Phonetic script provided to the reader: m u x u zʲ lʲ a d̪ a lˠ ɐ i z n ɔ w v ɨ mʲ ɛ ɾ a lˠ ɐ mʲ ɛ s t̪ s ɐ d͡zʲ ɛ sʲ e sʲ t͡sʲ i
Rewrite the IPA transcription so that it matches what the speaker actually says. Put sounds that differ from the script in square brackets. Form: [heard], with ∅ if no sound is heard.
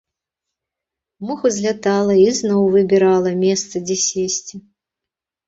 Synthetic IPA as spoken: m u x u zʲ lʲ a [t̪] a lˠ ɐ i z n ɔ w v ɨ [bʲ] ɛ ɾ a lˠ ɐ mʲ ɛ s t̪ s ɐ d͡zʲ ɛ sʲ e sʲ t͡sʲ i